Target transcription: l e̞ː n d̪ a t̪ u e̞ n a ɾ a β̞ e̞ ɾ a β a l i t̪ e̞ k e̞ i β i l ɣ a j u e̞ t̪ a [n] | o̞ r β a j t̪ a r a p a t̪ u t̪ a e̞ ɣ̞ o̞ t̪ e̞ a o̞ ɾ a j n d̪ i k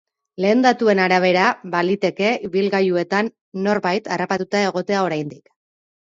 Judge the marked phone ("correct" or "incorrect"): incorrect